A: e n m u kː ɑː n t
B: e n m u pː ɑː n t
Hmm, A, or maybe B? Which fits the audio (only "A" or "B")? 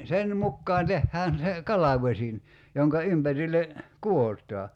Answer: A